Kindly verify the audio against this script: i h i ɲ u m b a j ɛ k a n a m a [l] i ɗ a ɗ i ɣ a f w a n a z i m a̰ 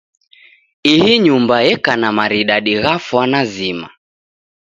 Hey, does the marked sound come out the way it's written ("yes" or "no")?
no